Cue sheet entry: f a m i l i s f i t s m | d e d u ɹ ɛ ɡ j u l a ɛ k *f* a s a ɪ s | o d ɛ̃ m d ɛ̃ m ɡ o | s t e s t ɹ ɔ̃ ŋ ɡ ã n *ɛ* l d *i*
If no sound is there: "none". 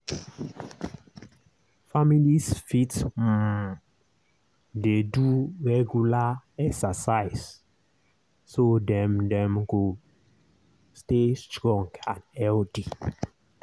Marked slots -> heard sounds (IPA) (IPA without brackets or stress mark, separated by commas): s, ɛ, i